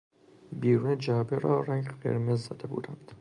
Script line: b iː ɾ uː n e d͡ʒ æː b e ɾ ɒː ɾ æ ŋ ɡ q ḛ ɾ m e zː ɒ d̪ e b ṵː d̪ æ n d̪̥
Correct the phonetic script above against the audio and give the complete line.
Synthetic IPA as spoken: b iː ɾ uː n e d͡ʒ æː b e ɾ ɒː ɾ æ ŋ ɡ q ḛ ɾ m e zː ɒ d̪ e b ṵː d̪ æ n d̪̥